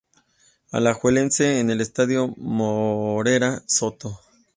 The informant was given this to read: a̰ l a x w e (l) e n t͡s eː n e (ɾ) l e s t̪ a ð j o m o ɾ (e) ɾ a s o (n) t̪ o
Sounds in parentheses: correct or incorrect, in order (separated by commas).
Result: correct, incorrect, correct, incorrect